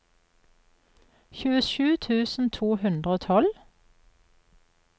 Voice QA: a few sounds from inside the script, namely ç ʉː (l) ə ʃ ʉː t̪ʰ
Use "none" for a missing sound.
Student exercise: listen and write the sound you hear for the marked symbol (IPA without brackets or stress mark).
none